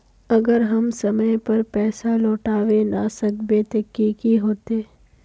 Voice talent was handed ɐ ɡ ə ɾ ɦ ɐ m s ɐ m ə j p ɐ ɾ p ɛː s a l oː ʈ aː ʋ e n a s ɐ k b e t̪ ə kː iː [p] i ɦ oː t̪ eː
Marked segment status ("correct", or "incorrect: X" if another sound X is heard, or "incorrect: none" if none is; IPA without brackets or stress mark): incorrect: k